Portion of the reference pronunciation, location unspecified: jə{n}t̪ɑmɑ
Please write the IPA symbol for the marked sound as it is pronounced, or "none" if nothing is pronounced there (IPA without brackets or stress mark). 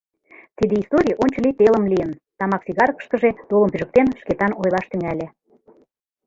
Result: n